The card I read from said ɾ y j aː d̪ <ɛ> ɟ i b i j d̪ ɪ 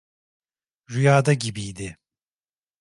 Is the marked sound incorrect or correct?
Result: incorrect